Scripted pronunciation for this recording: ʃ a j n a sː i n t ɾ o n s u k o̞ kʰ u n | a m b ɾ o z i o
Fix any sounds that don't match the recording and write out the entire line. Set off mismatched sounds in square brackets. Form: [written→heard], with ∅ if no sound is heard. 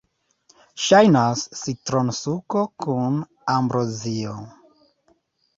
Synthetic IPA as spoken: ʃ a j n a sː i [n→∅] t ɾ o n s u k o̞ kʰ u n | a m b ɾ o z i o